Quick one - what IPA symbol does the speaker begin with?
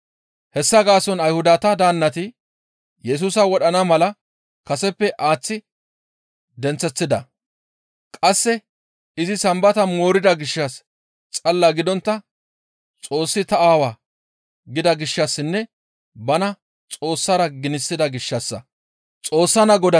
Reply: h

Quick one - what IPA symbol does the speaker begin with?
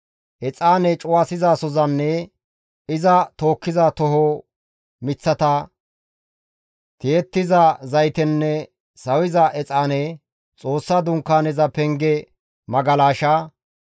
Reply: ʔ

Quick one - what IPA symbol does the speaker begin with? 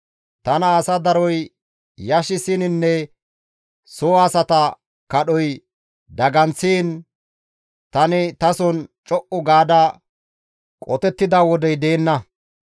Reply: t̪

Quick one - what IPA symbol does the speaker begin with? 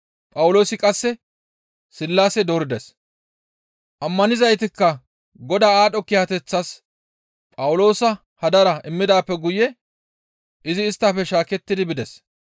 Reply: pʼ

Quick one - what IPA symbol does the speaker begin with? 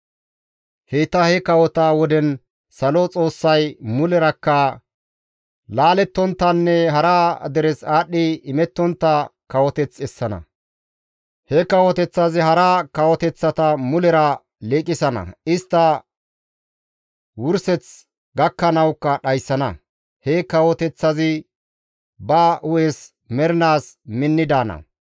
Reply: h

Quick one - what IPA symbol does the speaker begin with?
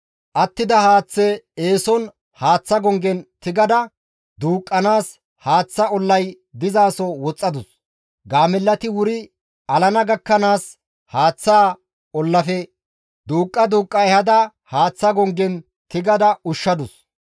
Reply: ʔ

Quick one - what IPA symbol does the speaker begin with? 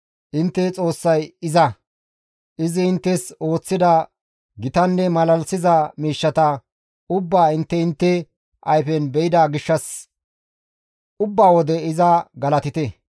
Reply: ʔ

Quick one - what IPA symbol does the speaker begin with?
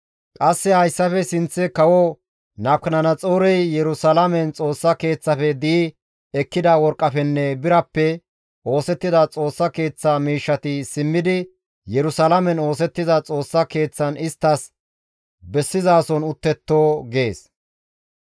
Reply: kʼ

